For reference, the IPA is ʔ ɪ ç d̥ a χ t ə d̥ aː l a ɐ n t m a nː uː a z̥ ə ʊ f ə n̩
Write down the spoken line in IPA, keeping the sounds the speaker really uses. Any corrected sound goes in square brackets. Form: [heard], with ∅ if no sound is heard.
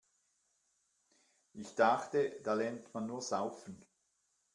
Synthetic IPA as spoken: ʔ ɪ ç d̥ a χ t ə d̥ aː l [ɛ] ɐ n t m a nː uː [ɐ] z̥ [a] ʊ f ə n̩